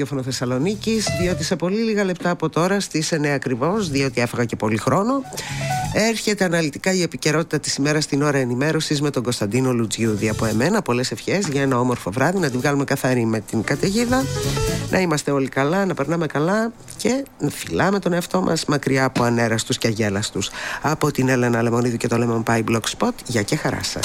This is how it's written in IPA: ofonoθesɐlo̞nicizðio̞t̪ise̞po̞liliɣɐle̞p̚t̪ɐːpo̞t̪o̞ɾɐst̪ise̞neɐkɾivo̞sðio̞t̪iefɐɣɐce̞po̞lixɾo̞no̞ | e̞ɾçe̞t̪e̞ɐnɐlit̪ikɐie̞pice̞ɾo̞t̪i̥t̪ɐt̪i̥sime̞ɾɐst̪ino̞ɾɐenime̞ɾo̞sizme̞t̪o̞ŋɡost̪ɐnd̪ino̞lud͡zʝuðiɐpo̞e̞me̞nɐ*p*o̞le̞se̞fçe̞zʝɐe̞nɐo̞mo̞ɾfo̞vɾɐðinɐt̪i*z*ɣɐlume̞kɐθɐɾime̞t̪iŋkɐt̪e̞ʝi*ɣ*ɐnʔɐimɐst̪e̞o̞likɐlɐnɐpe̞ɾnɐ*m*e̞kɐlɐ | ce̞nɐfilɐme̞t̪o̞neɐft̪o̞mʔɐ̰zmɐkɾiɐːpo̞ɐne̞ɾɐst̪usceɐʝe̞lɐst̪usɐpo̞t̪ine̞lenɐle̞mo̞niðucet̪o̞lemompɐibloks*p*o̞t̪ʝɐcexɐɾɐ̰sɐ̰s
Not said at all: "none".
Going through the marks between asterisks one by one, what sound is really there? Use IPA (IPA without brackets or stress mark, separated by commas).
p, v, ð, m, p